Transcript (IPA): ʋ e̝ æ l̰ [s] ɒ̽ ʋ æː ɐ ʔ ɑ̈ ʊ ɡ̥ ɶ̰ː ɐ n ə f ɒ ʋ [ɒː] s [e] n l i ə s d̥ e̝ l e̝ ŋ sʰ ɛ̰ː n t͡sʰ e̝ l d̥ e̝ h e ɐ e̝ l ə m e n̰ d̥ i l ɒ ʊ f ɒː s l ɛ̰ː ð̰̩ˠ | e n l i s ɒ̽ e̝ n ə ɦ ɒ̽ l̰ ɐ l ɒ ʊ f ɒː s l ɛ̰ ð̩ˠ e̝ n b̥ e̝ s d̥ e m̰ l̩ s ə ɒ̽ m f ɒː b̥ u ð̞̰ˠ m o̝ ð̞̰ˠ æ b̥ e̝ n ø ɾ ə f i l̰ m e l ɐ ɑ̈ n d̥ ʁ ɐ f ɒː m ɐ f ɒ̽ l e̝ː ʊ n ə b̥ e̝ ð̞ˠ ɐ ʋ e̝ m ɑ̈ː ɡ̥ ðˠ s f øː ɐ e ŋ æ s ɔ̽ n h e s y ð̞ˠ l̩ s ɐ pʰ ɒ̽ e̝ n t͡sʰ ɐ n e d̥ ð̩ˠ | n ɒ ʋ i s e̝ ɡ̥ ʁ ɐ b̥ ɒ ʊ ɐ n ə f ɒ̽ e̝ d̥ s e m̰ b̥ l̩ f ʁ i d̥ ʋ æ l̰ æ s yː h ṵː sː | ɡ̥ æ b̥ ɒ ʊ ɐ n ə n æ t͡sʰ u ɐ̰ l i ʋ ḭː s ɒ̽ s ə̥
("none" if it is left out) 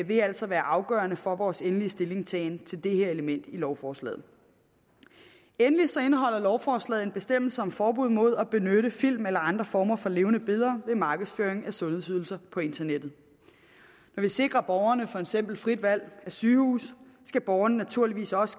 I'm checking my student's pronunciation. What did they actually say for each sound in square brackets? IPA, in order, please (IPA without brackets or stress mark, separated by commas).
s, ɒː, e